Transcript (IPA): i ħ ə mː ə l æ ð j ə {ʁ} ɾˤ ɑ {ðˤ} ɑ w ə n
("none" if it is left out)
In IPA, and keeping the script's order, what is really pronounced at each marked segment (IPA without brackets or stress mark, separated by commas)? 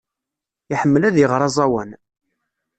ʁ, zˤ